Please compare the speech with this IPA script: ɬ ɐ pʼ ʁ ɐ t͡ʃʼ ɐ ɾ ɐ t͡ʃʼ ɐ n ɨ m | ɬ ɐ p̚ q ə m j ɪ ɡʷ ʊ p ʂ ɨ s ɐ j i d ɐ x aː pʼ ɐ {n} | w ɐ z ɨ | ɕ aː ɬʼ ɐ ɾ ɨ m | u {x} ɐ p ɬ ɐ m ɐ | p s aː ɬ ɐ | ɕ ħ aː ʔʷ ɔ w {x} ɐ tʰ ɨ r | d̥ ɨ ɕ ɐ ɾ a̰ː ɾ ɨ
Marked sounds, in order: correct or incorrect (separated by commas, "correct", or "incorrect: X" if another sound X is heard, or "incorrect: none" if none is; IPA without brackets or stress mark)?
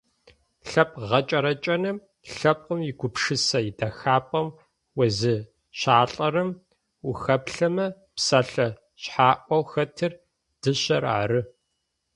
incorrect: m, correct, correct